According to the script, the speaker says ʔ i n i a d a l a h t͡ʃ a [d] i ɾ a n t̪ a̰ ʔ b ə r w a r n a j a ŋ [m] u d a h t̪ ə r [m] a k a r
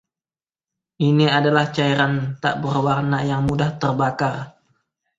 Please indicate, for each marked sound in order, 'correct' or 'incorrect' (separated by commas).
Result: incorrect, correct, incorrect